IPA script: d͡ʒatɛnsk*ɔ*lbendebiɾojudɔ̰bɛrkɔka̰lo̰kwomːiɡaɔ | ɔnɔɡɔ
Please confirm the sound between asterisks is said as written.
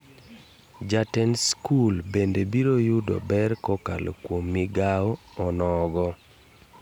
no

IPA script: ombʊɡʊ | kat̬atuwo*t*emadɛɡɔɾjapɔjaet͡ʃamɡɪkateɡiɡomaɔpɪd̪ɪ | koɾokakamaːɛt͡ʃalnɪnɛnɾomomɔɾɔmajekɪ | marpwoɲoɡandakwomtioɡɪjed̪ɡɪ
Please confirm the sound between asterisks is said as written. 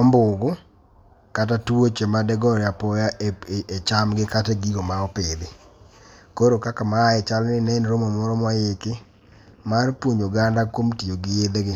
no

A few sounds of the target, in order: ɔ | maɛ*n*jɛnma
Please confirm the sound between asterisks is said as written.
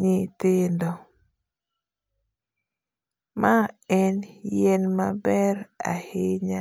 yes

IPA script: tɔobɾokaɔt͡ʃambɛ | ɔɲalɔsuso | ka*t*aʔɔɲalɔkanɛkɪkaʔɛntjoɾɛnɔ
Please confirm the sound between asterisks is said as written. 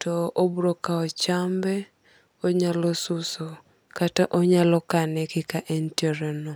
yes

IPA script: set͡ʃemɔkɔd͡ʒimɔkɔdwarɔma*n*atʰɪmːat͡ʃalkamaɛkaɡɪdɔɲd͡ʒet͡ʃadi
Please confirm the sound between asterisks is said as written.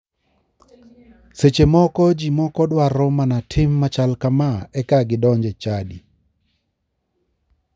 yes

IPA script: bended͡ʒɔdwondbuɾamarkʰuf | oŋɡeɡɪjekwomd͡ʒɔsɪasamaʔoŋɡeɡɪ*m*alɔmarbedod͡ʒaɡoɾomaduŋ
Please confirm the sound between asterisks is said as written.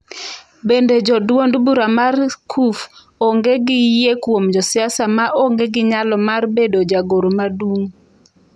no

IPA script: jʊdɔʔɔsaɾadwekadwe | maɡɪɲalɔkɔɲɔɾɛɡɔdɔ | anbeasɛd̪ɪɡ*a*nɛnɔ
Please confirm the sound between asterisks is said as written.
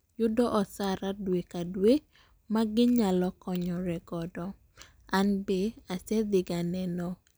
yes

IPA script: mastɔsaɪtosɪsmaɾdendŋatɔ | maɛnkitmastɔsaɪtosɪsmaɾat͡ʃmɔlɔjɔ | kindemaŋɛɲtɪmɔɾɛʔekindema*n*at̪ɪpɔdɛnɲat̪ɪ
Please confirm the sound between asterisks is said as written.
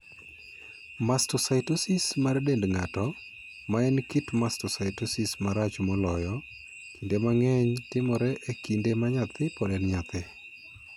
no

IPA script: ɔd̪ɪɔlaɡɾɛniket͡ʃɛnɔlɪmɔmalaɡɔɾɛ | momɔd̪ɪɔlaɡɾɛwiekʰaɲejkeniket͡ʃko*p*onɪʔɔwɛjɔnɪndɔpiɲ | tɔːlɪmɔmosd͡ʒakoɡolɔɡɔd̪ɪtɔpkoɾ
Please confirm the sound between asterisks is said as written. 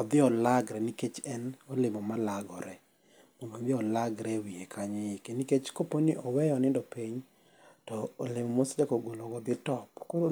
yes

